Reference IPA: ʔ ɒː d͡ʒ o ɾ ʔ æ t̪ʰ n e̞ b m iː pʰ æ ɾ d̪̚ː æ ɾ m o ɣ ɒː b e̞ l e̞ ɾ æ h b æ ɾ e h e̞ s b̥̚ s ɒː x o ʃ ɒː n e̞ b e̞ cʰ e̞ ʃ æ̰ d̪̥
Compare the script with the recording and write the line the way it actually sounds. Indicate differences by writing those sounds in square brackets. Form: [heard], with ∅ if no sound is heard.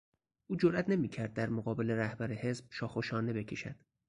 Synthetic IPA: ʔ [uː] d͡ʒ o ɾ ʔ æ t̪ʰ n e̞ [∅] m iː [cʰ] æ ɾ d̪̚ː æ ɾ m o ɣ ɒː b e̞ l e̞ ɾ æ h b æ ɾ e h e̞ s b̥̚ [ʃ] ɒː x o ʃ ɒː n e̞ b e̞ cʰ e̞ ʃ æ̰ d̪̥